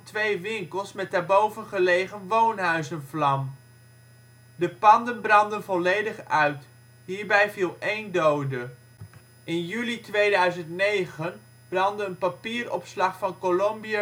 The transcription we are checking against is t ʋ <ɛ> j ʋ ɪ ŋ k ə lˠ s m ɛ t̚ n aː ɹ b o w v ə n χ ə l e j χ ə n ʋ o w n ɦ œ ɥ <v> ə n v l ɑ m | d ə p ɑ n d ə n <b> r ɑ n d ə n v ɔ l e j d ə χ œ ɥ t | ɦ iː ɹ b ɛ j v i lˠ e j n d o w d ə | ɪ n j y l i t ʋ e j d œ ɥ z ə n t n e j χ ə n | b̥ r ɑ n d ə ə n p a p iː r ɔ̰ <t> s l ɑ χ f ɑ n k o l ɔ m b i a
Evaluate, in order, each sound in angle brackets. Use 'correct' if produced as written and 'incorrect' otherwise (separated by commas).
incorrect, incorrect, correct, incorrect